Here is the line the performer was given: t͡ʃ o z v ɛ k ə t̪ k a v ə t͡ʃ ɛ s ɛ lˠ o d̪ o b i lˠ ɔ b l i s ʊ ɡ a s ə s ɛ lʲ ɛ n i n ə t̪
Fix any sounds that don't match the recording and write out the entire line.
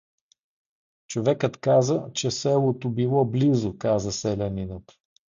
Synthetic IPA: t͡ʃ o v ɛ k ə t̪ k a z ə t͡ʃ ɛ s ɛ lˠ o t̪ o b i lˠ ɔ b l i z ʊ k a z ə s ɛ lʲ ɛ n i n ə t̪